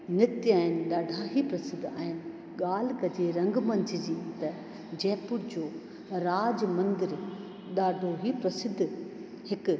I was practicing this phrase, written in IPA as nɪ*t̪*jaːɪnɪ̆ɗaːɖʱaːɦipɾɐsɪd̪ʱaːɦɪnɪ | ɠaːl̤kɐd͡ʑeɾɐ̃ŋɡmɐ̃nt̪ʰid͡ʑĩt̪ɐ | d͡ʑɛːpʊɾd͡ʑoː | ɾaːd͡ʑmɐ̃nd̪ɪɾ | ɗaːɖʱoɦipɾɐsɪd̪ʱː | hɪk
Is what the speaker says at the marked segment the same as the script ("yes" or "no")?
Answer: yes